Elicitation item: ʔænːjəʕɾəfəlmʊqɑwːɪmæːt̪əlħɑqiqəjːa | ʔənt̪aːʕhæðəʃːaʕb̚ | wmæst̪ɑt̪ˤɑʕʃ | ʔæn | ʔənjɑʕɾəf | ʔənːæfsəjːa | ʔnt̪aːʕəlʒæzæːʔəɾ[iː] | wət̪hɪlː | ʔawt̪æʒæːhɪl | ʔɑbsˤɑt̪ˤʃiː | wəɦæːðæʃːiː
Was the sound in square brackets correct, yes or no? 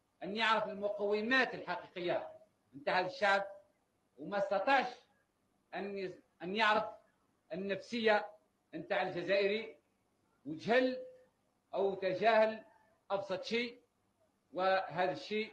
no